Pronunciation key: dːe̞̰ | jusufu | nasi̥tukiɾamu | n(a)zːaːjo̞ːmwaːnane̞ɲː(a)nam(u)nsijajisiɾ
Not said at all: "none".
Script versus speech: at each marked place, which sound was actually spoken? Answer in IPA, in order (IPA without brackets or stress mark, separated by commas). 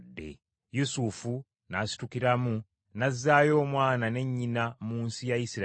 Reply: a, i, uː